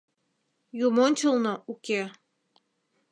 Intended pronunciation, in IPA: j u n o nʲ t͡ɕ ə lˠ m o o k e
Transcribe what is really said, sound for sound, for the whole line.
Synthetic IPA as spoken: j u m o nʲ t͡ɕ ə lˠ n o u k e